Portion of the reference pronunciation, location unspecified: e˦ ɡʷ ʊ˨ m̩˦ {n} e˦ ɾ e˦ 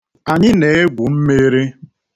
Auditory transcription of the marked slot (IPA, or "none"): m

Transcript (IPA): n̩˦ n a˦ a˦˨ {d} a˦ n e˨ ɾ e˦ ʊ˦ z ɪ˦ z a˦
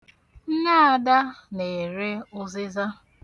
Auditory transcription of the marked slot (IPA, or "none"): d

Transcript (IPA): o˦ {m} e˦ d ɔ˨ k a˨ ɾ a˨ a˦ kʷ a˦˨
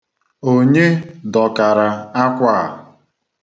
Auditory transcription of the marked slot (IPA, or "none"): ɲ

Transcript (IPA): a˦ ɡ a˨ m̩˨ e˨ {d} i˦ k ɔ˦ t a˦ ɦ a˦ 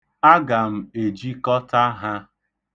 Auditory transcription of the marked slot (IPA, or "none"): d͡ʒ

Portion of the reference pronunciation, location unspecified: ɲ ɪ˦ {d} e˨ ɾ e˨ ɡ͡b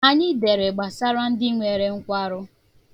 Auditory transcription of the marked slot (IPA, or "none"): d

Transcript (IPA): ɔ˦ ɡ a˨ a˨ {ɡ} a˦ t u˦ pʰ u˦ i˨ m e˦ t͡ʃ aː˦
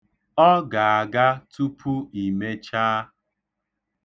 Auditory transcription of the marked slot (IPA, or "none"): ɡ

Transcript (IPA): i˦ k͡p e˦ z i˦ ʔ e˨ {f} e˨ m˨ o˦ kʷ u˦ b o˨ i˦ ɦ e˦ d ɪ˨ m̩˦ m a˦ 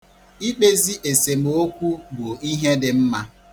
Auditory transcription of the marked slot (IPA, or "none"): s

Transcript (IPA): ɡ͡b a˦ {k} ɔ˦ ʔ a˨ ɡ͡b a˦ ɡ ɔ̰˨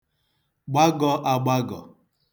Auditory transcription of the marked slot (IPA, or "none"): ɡ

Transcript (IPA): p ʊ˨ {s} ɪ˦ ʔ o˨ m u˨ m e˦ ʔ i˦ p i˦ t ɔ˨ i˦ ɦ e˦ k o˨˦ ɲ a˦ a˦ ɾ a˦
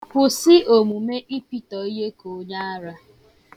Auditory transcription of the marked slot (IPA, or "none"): s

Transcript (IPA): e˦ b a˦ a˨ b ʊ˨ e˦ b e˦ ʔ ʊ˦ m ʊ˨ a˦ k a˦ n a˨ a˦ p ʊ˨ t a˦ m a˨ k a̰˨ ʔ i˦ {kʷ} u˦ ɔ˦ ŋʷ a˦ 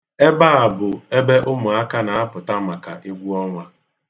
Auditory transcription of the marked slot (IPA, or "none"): ɡʷ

